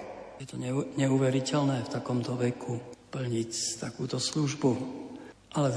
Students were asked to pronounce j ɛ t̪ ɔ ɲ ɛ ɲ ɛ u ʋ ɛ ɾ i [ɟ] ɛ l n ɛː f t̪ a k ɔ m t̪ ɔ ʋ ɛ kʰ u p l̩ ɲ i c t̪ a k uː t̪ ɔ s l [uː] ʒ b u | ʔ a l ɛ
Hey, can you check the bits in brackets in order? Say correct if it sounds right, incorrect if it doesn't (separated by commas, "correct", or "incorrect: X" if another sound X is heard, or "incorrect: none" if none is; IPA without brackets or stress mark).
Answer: incorrect: c, incorrect: u